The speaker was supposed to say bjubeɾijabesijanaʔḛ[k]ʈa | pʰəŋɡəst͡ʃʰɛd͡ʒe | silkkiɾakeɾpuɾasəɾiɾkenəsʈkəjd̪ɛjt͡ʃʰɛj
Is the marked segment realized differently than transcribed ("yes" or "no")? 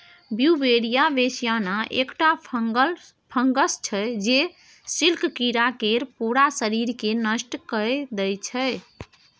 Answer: no